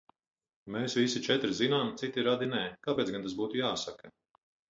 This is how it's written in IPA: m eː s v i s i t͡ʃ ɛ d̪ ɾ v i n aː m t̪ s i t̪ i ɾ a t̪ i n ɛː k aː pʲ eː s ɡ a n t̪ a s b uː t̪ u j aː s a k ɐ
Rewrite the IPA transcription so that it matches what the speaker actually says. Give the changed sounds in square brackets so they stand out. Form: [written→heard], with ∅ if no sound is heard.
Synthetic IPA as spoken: m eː s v i s i t͡ʃ ɛ [d̪→t̪] ɾ [v→z] i n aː m t̪ s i t̪ i ɾ a [t̪→d̪] i n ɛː k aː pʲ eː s ɡ a n t̪ a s b uː t̪ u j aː s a k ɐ

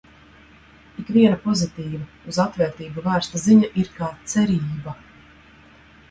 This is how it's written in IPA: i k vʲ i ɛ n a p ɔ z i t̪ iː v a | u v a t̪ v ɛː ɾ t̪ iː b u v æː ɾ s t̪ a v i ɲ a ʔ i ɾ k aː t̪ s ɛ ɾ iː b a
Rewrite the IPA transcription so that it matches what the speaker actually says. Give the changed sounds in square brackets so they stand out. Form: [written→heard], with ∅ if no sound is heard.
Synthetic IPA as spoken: i k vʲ i ɛ n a p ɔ z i t̪ iː v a | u [v→z] a t̪ v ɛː ɾ t̪ iː b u v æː ɾ s t̪ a [v→z] i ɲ a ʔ i ɾ k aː t̪ s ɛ ɾ iː b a

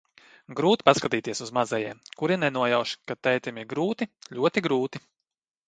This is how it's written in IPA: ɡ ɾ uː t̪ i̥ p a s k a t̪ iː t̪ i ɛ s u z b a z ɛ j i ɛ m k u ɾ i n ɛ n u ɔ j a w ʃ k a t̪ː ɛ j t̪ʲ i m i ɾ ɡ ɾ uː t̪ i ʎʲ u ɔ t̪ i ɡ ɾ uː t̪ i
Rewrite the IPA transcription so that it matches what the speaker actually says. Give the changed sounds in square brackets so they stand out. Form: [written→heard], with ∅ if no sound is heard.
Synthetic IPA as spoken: ɡ ɾ uː t̪ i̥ p a s k a t̪ iː t̪ i ɛ s u z [b→m] a z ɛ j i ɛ m k u ɾ i n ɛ n u ɔ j a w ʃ k a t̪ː ɛ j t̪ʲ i m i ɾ ɡ ɾ uː t̪ i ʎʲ u ɔ t̪ i ɡ ɾ uː t̪ i

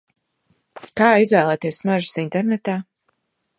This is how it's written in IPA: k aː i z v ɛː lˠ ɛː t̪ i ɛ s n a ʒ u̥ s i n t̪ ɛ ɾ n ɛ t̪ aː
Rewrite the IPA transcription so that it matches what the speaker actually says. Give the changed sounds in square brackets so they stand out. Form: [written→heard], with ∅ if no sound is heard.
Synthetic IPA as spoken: k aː i z v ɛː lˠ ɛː t̪ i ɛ s [n→m] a ʒ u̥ s i n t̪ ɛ ɾ n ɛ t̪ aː

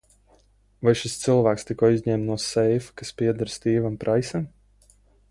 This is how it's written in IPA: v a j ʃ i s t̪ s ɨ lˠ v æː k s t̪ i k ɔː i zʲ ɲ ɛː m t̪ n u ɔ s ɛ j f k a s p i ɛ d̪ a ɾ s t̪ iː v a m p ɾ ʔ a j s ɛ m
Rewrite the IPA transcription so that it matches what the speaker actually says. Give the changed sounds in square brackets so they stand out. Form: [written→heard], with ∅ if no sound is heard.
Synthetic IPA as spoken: v a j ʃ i s t̪ s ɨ lˠ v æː k s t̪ i k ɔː i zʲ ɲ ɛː m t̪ n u ɔ s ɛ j f k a s p i ɛ d̪ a ɾ s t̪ iː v a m p ɾ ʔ a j s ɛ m

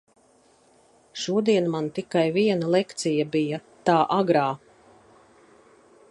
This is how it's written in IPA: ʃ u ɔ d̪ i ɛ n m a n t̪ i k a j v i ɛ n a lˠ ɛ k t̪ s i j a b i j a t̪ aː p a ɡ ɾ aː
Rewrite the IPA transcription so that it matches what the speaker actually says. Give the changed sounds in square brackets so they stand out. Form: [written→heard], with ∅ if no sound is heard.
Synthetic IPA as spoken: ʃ u ɔ d̪ i ɛ n m a n t̪ i k a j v i ɛ n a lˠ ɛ k t̪ s i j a b i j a t̪ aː [p→ʔ] a ɡ ɾ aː

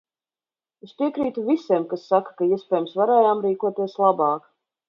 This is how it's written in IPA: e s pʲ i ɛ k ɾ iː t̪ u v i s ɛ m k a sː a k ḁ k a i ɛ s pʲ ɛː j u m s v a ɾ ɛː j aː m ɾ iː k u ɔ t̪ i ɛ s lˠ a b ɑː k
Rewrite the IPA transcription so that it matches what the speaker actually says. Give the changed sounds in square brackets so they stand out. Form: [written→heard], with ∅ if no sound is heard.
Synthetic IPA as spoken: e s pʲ i ɛ k ɾ iː t̪ u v i s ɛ m k a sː a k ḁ k a i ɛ s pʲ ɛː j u m s v a ɾ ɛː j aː m ɾ iː k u ɔ t̪ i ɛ s lˠ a b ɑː k

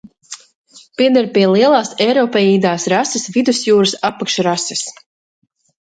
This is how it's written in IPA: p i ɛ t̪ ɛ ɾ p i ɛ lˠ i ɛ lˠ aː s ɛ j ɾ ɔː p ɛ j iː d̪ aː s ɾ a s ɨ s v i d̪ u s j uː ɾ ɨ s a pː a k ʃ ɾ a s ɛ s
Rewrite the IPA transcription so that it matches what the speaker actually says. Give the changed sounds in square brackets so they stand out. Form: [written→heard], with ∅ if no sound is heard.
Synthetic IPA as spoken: p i ɛ [t̪→d̪] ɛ ɾ p i ɛ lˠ i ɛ lˠ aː s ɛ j ɾ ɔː p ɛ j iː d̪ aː s ɾ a s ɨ s v i d̪ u s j uː ɾ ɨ s a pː a k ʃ ɾ a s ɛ s

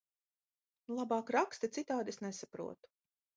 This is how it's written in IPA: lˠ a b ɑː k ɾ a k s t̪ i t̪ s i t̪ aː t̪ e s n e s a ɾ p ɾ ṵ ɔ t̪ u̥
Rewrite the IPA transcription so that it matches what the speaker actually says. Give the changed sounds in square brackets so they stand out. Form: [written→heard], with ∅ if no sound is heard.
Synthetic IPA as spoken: lˠ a b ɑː k ɾ a k s t̪ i t̪ s i t̪ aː [t̪→d̪] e s n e s a [ɾ→∅] p ɾ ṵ ɔ t̪ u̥

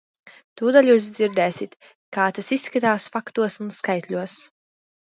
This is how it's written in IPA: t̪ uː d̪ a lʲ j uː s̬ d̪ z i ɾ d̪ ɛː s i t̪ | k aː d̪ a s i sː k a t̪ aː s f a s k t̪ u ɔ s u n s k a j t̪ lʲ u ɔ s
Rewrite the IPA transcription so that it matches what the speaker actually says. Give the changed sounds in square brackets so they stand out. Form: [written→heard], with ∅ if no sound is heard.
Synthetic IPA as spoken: t̪ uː d̪ a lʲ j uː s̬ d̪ z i ɾ d̪ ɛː s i t̪ | k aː [d̪→t̪] a s i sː k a t̪ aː s f a [s→∅] k t̪ u ɔ s u n s k a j t̪ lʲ u ɔ s

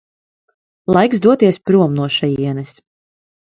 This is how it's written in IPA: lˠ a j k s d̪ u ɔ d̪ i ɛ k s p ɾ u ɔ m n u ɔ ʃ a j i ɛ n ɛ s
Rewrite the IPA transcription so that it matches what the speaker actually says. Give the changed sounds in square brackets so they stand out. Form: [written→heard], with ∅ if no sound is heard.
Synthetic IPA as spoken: lˠ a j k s d̪ u ɔ [d̪→t̪] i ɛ [k→∅] s p ɾ u ɔ m n u ɔ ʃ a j i ɛ n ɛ s

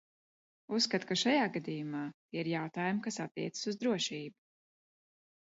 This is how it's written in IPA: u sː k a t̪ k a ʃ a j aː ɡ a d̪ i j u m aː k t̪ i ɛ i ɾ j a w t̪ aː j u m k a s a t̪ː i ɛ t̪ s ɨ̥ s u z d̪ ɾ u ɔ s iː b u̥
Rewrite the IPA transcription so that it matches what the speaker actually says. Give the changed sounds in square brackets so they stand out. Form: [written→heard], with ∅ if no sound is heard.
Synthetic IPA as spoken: u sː k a t̪ k a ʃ a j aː ɡ a d̪ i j u m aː [k→∅] t̪ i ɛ i ɾ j a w t̪ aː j u m k a s a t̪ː i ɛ t̪ s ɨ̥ s u z d̪ ɾ u ɔ [s→ʃ] iː b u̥

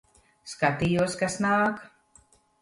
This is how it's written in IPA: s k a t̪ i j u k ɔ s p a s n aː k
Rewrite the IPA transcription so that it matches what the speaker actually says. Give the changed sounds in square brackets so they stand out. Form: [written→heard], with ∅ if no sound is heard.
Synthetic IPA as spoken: s k a t̪ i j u [k→∅] ɔ s [p→k] a s n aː k

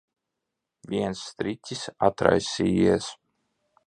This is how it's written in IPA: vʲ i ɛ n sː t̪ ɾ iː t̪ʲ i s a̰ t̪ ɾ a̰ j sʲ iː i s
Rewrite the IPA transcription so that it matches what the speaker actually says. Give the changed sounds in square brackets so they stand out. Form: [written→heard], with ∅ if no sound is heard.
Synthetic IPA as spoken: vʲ i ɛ n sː t̪ ɾ [iː→i] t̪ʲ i s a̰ t̪ ɾ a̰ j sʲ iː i s

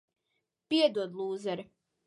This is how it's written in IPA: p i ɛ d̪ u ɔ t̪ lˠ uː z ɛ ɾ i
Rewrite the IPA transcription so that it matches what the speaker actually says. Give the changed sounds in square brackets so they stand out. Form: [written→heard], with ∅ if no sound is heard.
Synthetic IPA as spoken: p i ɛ d̪ u ɔ [t̪→d̪] lˠ uː z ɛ ɾ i

